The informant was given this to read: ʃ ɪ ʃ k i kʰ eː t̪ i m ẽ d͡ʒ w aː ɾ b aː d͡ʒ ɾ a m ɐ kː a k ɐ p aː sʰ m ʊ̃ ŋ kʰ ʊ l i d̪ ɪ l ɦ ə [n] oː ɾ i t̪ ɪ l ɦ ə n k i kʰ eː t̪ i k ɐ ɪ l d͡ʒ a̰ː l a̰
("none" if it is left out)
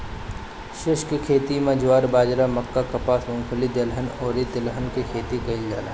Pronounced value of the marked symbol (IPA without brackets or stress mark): n